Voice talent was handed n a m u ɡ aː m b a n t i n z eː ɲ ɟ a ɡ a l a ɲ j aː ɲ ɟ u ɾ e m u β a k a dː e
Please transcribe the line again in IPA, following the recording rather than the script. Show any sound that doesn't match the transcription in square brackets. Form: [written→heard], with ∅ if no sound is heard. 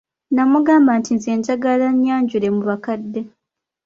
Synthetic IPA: n a m u ɡ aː m b a n t i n z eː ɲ ɟ a ɡ a l a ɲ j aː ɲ ɟ u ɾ e m u β a k a dː e